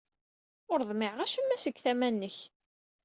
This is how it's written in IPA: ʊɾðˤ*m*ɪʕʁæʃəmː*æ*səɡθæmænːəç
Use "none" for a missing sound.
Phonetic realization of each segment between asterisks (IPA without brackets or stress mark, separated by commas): m, æ